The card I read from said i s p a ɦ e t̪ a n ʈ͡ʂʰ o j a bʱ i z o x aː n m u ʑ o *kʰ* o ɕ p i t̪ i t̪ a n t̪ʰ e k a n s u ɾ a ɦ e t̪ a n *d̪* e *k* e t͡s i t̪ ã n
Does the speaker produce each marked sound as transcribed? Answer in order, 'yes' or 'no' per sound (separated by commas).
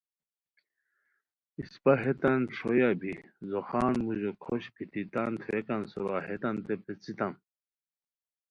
yes, no, no